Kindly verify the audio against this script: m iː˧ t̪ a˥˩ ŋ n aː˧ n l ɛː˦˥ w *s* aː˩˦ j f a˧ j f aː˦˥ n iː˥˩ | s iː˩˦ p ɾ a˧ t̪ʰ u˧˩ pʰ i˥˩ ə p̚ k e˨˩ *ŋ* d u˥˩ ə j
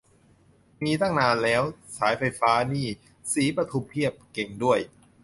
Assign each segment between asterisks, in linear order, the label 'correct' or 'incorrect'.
correct, correct

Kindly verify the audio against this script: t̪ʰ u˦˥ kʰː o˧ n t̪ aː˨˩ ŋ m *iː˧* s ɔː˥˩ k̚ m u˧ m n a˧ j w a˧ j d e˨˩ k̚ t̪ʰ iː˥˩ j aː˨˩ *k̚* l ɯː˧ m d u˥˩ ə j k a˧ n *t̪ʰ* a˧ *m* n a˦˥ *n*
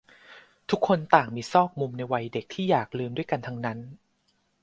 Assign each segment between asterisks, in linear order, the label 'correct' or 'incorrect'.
correct, correct, correct, incorrect: ŋ, correct

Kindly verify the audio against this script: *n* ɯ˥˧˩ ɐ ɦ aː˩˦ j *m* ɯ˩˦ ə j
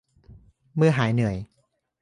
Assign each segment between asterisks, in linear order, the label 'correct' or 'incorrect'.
incorrect: m, incorrect: n

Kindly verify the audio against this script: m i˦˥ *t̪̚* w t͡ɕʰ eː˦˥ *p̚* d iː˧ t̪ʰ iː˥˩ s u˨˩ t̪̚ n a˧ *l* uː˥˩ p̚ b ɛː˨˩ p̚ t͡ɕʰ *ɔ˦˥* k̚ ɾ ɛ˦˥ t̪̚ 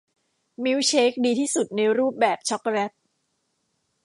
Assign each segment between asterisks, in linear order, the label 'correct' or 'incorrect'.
incorrect: none, incorrect: k̚, incorrect: ɾ, correct

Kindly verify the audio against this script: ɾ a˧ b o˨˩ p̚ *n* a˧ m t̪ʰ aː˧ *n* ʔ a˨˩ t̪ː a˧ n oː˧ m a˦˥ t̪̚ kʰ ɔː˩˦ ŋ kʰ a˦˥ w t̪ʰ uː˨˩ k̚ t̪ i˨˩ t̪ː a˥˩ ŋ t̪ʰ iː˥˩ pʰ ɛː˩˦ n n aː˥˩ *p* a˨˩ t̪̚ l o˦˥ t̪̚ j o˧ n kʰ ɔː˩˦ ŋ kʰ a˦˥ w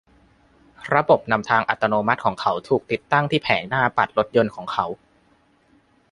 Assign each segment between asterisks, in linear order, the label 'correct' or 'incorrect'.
correct, incorrect: ŋ, correct

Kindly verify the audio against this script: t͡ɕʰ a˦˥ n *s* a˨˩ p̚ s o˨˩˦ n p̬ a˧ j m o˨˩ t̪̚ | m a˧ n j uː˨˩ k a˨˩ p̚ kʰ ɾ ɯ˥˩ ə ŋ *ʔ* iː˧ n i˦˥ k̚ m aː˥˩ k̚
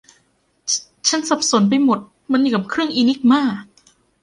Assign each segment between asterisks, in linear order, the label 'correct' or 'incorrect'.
correct, correct

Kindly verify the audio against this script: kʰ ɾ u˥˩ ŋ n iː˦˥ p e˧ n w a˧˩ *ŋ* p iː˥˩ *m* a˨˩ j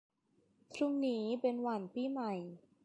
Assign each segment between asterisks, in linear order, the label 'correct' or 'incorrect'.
incorrect: n, correct

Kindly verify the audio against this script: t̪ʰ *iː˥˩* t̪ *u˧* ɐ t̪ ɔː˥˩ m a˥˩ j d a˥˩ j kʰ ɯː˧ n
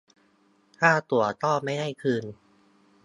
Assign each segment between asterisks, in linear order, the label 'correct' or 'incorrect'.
incorrect: aː˥˩, incorrect: u˨˩

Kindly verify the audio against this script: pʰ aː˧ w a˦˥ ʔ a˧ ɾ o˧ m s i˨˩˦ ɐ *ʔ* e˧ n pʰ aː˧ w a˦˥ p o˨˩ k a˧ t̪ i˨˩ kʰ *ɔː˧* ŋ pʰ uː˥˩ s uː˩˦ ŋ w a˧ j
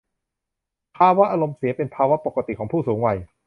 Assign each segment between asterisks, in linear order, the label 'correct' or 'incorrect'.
incorrect: p, incorrect: ɔː˩˦

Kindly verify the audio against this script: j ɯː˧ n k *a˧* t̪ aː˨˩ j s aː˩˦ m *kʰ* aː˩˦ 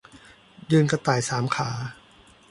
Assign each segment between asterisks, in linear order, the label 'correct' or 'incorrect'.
correct, correct

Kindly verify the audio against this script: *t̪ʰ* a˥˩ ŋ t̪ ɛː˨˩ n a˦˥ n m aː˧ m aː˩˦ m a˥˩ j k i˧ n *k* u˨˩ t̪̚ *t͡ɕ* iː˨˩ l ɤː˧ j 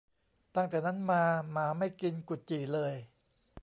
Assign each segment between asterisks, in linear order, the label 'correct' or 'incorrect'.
incorrect: t̪, correct, correct

